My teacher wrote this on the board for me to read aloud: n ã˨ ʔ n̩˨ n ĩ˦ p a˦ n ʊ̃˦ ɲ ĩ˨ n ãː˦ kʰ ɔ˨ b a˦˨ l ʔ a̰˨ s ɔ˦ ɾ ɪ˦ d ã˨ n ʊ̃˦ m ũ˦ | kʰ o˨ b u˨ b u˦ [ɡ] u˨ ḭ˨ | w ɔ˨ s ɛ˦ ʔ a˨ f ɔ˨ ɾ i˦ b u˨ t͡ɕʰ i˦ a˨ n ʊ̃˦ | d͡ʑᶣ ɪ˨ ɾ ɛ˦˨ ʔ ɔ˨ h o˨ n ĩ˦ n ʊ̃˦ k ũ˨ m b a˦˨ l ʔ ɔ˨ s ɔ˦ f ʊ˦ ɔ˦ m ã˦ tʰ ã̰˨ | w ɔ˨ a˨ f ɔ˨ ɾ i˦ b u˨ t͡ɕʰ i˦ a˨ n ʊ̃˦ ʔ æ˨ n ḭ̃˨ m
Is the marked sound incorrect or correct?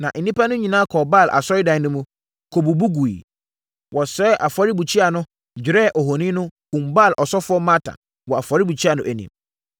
correct